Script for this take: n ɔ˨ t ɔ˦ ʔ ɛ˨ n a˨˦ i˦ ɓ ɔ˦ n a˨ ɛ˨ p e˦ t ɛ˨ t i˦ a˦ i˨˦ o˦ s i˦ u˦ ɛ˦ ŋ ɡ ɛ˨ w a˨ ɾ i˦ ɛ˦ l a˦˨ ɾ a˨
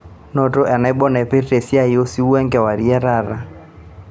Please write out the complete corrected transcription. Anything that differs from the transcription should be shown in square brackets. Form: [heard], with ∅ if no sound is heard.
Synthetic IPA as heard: n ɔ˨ t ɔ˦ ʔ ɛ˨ n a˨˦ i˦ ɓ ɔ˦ n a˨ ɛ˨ p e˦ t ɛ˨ [s] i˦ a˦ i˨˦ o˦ s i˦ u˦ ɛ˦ ŋ ɡ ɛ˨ w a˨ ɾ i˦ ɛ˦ [ɾ] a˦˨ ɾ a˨